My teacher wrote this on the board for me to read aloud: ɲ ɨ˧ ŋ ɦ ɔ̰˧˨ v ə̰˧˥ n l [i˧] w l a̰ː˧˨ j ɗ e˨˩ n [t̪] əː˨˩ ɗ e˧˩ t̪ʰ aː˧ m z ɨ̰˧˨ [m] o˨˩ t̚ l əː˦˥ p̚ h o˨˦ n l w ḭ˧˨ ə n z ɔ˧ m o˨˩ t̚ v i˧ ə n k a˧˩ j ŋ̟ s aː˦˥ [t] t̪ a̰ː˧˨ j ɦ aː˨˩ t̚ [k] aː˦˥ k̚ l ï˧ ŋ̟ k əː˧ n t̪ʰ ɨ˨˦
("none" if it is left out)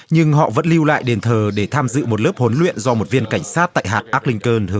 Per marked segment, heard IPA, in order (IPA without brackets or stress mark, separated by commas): i˧, t̪ʰ, m, t, ʔ